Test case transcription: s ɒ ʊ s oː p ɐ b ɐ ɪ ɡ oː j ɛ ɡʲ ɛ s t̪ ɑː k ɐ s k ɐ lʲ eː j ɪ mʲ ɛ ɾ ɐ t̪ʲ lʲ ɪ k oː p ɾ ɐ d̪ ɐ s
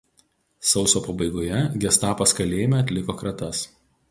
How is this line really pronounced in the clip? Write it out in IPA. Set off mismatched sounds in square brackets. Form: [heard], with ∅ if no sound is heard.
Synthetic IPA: s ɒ ʊ s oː p ɐ b ɐ ɪ ɡ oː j ɛ ɡʲ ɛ s t̪ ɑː [p] ɐ s k ɐ lʲ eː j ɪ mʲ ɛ [∅] ɐ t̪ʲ lʲ ɪ k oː [k] ɾ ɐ [t̪] ɐ s